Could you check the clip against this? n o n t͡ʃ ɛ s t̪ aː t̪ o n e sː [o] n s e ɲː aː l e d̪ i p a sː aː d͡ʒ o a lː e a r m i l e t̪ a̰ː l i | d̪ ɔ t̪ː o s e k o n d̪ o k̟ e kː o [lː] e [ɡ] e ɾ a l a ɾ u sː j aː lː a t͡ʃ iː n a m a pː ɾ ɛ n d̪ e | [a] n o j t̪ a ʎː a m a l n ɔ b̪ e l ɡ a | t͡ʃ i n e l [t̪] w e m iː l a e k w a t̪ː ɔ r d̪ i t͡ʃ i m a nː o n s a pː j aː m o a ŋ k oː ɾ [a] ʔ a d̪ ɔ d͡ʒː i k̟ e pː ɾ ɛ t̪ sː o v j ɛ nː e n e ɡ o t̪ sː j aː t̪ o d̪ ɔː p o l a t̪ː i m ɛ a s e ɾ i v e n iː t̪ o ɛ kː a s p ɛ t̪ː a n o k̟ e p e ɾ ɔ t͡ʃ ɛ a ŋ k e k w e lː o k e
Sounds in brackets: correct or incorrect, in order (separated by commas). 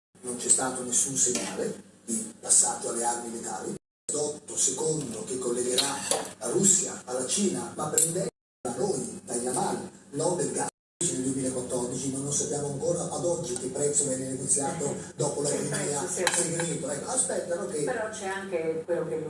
incorrect, correct, correct, correct, incorrect, correct